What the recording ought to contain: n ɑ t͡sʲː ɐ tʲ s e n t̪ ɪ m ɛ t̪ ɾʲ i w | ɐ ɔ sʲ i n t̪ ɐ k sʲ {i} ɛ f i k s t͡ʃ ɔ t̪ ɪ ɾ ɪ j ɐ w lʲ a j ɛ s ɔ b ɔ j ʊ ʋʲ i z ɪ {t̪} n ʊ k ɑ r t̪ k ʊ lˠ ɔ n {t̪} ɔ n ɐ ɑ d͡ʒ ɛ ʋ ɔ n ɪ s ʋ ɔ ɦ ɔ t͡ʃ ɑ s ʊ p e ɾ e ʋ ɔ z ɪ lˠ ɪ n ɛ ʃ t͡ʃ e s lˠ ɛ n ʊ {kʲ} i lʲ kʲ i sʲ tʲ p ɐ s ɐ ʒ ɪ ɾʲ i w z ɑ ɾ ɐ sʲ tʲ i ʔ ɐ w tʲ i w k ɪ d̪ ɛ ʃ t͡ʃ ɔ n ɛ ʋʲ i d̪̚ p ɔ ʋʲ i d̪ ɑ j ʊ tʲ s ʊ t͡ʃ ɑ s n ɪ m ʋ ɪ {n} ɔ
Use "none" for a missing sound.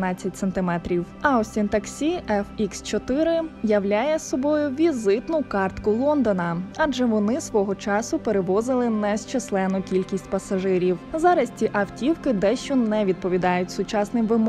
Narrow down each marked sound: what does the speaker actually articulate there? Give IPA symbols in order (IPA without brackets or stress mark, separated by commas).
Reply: i, t̪, d̪, kʲ, m